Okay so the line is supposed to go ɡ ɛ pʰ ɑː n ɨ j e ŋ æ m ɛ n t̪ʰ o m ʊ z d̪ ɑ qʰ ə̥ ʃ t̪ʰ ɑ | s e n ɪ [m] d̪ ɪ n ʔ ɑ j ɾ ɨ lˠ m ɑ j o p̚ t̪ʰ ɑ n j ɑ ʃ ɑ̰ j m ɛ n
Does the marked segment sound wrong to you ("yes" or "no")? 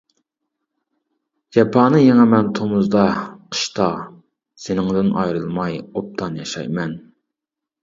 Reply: yes